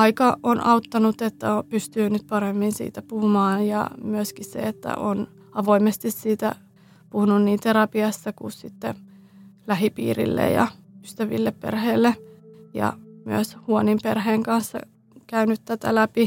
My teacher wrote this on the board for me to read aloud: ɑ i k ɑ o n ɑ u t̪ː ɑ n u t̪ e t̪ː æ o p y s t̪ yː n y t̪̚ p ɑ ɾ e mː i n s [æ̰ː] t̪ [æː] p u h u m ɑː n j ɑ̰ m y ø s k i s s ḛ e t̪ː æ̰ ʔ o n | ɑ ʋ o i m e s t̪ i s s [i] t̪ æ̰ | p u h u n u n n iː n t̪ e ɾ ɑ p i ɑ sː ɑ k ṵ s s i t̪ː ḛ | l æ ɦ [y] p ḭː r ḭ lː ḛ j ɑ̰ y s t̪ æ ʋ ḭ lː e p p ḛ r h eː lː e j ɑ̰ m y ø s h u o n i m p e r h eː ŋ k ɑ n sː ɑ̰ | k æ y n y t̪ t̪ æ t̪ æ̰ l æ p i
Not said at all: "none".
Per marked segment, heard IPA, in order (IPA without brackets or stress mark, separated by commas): ḭː, æ, iː, i